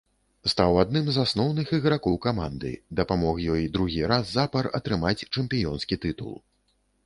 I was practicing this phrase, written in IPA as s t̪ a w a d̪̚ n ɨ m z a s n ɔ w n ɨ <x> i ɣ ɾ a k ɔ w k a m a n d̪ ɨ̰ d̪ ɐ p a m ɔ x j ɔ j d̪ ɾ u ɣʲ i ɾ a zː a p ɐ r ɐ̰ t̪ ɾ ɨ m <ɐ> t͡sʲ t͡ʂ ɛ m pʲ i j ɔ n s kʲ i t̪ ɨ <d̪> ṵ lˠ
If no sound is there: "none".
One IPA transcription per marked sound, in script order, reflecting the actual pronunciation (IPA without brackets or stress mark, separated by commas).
x, a, t̪